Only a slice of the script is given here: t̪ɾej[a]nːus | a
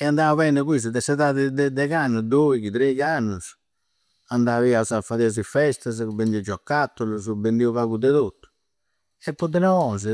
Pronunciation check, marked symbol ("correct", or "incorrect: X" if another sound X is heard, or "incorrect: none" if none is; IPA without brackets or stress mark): correct